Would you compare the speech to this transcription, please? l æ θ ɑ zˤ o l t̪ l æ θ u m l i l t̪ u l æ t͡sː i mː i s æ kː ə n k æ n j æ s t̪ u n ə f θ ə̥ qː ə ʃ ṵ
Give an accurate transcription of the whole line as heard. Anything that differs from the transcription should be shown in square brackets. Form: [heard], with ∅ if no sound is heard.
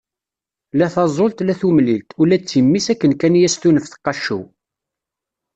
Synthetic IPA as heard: l æ θ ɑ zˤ o l t̪ l æ θ u m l i l t̪ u l æ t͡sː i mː i s æ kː ə n k æ n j æ s t̪ u n ə f θ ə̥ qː [ɑ] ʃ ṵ